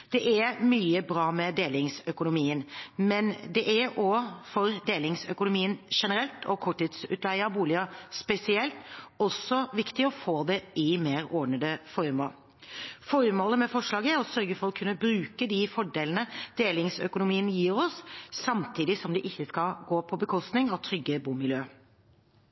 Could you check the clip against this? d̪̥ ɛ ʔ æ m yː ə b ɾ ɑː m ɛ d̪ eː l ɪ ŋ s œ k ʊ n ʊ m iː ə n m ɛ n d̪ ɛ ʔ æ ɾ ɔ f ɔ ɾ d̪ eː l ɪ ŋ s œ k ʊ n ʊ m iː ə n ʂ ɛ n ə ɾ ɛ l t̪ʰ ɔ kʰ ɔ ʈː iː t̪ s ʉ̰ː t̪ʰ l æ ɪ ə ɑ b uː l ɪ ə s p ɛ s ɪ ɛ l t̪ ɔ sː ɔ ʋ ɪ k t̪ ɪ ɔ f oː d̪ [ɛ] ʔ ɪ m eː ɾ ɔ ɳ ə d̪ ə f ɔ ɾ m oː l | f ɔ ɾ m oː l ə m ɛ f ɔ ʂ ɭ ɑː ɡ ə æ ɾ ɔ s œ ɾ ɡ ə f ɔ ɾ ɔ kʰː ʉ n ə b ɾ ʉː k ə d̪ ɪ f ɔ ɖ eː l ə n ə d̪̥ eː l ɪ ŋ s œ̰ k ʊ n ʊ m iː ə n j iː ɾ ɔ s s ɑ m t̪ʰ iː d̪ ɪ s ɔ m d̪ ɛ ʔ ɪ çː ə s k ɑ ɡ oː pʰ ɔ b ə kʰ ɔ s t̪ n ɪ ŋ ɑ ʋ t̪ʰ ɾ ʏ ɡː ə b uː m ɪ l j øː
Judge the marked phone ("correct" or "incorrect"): correct